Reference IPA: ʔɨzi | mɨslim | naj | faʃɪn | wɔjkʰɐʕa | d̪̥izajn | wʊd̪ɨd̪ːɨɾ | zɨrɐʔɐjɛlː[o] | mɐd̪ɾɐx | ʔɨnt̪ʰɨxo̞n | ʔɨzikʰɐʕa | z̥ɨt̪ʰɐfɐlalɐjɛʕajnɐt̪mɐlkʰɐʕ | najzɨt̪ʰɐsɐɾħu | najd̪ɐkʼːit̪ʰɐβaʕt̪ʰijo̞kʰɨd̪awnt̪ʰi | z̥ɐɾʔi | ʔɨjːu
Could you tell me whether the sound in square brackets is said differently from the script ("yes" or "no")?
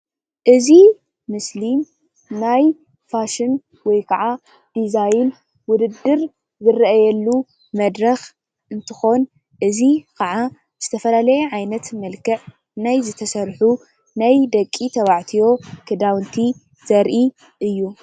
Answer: yes